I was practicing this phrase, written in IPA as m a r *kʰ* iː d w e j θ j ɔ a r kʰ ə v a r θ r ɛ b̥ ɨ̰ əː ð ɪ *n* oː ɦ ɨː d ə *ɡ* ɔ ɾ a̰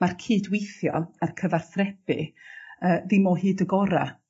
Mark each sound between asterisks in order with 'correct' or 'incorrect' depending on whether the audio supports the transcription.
correct, incorrect, correct

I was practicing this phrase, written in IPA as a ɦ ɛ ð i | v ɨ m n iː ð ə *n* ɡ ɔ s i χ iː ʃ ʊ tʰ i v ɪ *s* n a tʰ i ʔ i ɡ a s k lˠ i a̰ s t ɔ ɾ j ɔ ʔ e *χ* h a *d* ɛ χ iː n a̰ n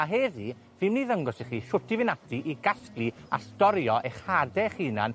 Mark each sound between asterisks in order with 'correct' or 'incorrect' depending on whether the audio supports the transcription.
incorrect, incorrect, correct, correct

